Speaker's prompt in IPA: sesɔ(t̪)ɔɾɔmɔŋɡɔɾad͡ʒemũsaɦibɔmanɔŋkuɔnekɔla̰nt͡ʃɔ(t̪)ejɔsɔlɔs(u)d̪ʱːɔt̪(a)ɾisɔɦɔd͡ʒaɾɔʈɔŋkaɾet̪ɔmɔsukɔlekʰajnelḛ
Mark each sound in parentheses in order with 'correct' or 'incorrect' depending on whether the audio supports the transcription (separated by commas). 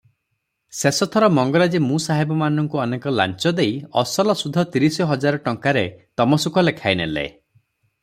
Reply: incorrect, incorrect, correct, incorrect